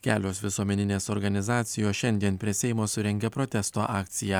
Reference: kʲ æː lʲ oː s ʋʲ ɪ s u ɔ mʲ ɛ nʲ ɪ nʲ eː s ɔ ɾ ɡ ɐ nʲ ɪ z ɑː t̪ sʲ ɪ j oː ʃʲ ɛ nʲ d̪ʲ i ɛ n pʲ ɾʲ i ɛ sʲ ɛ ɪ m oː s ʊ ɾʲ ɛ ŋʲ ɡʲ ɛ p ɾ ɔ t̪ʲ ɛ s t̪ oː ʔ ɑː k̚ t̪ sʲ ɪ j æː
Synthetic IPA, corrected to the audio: kʲ æː lʲ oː s ʋʲ ɪ s u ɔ mʲ ɛ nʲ ɪ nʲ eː s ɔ ɾ ɡ ɐ nʲ ɪ z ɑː t̪ sʲ ɪ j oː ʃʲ ɛ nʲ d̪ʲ i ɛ n pʲ ɾʲ i ɛ sʲ ɛ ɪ m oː s ʊ ɾʲ ɛ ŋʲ ɡʲ ɛ p ɾ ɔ t̪ʲ ɛ s t̪ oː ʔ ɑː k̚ t̪ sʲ ɪ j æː

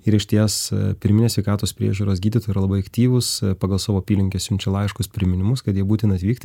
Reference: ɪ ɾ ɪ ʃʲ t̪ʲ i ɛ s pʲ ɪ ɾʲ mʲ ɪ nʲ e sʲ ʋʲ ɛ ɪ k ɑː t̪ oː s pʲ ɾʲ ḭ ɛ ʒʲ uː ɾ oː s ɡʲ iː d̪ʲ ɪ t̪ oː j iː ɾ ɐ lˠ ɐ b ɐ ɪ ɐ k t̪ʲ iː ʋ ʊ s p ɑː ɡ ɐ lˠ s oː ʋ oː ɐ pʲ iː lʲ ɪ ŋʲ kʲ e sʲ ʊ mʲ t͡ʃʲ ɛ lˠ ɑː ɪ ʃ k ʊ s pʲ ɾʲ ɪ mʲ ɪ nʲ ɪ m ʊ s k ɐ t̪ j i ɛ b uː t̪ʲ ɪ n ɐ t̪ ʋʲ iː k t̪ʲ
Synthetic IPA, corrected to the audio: ɪ ɾ ɪ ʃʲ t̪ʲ i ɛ s pʲ ɪ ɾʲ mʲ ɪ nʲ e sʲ ʋʲ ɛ ɪ k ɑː t̪ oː s pʲ ɾʲ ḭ ɛ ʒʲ uː ɾ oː s ɡʲ iː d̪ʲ ɪ t̪ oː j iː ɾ ɐ lˠ ɐ b ɐ ɪ ɐ k t̪ʲ iː ʋ ʊ s p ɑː ɡ ɐ lˠ s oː ʋ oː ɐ pʲ iː lʲ ɪ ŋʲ kʲ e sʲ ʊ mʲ t͡ʃʲ ɛ lˠ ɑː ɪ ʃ k ʊ s pʲ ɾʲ ɪ mʲ ɪ nʲ ɪ m ʊ s k ɐ t̪ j i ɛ b uː t̪ʲ ɪ n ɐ t̪ ʋʲ iː k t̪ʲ

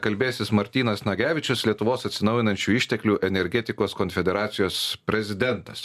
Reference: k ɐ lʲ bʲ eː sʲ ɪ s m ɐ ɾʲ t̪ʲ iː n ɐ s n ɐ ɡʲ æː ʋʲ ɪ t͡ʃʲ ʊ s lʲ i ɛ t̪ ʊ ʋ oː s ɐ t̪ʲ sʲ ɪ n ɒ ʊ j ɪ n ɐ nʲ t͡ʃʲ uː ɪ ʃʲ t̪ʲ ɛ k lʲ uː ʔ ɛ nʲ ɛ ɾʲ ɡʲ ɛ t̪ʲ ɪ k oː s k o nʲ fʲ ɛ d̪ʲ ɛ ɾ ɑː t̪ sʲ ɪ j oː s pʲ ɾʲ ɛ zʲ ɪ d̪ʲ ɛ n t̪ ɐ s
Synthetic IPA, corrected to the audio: k ɐ lʲ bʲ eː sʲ ɪ s m ɐ ɾʲ t̪ʲ iː n ɐ s n ɐ ɡʲ æː ʋʲ ɪ t͡ʃʲ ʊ s lʲ i ɛ t̪ ʊ ʋ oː s ɐ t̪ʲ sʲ ɪ n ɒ ʊ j ɪ n ɐ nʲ t͡ʃʲ uː ɪ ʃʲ t̪ʲ ɛ k lʲ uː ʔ ɛ nʲ ɛ ɾʲ ɡʲ ɛ t̪ʲ ɪ k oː s k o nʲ fʲ ɛ d̪ʲ ɛ ɾ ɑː t̪ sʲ ɪ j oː s pʲ ɾʲ ɛ zʲ ɪ d̪ʲ ɛ n t̪ ɐ s

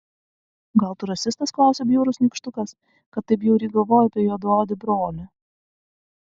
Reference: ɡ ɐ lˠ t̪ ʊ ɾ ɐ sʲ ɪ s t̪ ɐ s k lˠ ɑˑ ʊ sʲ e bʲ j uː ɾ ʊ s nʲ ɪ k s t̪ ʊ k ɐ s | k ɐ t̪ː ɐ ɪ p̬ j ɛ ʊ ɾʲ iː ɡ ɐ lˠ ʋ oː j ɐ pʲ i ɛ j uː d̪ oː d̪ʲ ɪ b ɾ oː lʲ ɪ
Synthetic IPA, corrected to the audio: ɡ ɐ lˠ t̪ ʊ ɾ ɐ sʲ ɪ s t̪ ɐ s k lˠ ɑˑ ʊ sʲ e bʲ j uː ɾ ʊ s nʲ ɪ k ʃ t̪ ʊ k ɐ s | k ɐ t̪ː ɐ ɪ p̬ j ɛ ʊ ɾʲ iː ɡ ɐ lˠ ʋ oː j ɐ pʲ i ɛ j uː d̪ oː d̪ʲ ɪ b ɾ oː lʲ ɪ

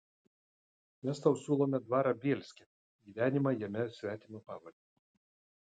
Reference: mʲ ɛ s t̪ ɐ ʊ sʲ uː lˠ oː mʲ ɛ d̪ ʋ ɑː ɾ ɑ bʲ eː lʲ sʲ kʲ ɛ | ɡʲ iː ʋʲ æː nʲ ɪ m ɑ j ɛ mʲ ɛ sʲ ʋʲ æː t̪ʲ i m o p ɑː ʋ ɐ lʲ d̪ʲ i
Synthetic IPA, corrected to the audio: mʲ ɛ s t̪ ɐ ʊ sʲ uː lˠ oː mʲ ɛ d̪ ʋ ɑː ɾ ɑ bʲ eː lʲ sʲ kʲ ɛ | ɡʲ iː ʋʲ æː nʲ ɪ m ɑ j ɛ mʲ ɛ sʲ ʋʲ æː t̪ʲ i m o p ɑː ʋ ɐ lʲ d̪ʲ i

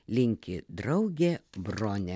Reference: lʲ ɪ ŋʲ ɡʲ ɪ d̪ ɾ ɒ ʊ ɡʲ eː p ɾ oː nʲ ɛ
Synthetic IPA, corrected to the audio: lʲ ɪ ŋʲ kʲ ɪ d̪ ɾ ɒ ʊ ɡʲ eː b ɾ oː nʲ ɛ

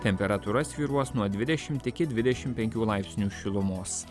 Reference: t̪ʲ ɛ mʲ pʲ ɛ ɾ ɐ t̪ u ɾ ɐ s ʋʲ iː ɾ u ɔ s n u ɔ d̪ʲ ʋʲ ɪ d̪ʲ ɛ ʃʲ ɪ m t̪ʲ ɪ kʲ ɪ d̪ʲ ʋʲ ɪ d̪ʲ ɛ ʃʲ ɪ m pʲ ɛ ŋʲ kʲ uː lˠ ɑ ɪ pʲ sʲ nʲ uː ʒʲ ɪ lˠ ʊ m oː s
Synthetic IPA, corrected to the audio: t̪ʲ ɛ mʲ pʲ ɛ ɾ ɐ t̪ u ɾ ɐ s ʋʲ iː ɾ u ɔ s n u ɔ d̪ʲ ʋʲ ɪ d̪ʲ ɛ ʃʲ ɪ m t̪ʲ ɪ kʲ ɪ d̪ʲ ʋʲ ɪ d̪ʲ ɛ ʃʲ ɪ m pʲ ɛ ŋʲ kʲ uː lˠ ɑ ɪ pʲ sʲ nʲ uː ʃʲ ɪ lˠ ʊ m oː s

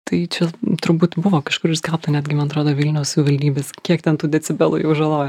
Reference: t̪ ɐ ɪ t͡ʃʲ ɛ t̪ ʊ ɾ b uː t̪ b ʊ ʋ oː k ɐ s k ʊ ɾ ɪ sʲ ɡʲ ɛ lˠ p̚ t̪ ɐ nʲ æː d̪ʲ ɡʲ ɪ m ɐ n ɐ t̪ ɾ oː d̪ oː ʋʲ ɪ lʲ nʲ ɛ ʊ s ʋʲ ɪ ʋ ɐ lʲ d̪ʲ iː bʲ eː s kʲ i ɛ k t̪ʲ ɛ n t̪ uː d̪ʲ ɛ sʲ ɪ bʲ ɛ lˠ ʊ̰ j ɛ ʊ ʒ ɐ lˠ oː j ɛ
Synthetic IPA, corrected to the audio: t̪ ɐ ɪ t͡ʃʲ ɛ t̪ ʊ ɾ b uː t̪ b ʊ ʋ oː k ɐ ʃ k ʊ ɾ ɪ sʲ kʲ ɛ lˠ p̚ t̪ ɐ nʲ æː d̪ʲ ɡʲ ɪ m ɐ n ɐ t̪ ɾ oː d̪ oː ʋʲ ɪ lʲ nʲ ɛ ʊ s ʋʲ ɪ ʋ ɐ lʲ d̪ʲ iː bʲ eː s kʲ i ɛ k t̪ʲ ɛ n t̪ uː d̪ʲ ɛ t͡sʲ ɪ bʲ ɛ lˠ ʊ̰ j ɛ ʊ ʒ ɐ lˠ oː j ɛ

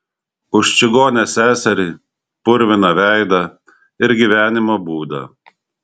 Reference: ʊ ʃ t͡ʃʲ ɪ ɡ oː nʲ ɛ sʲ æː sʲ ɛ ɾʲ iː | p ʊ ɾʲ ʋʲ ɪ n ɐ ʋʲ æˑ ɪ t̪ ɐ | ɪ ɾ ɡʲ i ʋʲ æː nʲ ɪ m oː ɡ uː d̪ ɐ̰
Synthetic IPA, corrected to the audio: ʊ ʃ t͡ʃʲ ɪ ɡ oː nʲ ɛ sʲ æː sʲ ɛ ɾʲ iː | p ʊ ɾʲ ʋʲ ɪ n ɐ ʋʲ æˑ ɪ d̪ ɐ | ɪ ɾ ɡʲ i ʋʲ æː nʲ ɪ m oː b uː d̪ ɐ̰

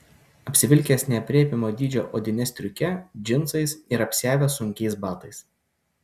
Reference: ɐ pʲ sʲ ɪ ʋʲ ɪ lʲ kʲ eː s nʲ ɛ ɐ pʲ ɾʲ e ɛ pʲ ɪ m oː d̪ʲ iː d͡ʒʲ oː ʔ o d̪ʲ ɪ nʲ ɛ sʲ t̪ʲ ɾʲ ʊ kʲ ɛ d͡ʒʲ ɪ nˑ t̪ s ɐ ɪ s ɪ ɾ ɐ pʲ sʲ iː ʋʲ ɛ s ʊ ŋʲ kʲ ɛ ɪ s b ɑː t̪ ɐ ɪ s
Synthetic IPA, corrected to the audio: ɐ pʲ sʲ ɪ ʋʲ ɪ lʲ kʲ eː s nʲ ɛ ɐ pʲ ɾʲ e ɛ pʲ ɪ m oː d̪ʲ iː d͡ʒʲ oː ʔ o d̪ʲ ɪ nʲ ɛ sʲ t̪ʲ ɾʲ ʊ kʲ ɛ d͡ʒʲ ɪ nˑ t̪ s ɐ ɪ s ɪ ɾ ɐ pʲ sʲ æː ʋʲ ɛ s ʊ ŋʲ kʲ ɛ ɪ s b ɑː t̪ ɐ ɪ s

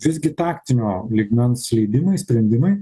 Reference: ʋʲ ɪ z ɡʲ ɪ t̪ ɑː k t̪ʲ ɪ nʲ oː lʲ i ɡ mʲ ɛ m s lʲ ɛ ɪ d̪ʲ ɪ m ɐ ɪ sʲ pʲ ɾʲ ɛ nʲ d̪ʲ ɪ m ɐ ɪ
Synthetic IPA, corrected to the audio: ʋʲ ɪ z ɡʲ ɪ t̪ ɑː k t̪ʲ ɪ nʲ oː lʲ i ɡ mʲ ɛ n s lʲ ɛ ɪ d̪ʲ ɪ m ɐ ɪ sʲ pʲ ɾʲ ɛ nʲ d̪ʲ ɪ m ɐ ɪ

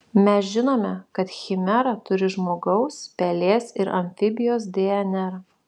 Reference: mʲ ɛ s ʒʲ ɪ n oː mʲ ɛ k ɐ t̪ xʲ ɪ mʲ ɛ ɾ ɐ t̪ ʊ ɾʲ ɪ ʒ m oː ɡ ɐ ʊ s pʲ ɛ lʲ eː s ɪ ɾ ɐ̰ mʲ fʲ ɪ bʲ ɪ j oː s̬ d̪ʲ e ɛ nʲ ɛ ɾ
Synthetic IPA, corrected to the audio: mʲ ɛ s ʒʲ ɪ n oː mʲ ɛ k ɐ t̪ xʲ ɪ mʲ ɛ ɾ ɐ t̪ ʊ ɾʲ ɪ ʒ m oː ɡ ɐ ʊ s pʲ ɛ lʲ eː s ɪ ɾ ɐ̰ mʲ fʲ ɪ bʲ ɪ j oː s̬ d̪ʲ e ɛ nʲ ɛ ɾ

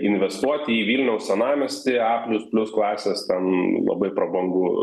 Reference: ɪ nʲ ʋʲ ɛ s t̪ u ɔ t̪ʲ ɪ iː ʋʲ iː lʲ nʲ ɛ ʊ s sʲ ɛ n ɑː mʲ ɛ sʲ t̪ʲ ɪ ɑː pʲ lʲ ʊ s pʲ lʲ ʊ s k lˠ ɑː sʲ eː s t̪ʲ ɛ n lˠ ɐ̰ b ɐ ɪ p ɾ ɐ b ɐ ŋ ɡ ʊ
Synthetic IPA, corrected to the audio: ɪ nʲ ʋʲ ɛ s t̪ u ɔ t̪ʲ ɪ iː ʋʲ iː lʲ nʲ ɛ ʊ s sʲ ɛ n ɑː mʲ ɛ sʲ t̪ʲ ɪ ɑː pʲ lʲ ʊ s pʲ lʲ ʊ s k lˠ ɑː sʲ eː s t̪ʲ ɛ n lˠ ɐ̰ b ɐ ɪ p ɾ ɐ b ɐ ŋ ɡ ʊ

